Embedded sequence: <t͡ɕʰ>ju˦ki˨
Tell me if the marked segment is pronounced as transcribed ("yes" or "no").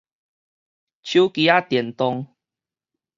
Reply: yes